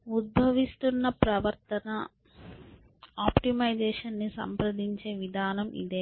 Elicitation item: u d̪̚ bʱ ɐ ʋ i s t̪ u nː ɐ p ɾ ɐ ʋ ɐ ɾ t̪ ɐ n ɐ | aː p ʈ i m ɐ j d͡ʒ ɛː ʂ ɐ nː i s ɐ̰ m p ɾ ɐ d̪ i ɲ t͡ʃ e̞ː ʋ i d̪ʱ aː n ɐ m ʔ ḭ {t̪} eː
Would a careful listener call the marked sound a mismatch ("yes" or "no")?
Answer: yes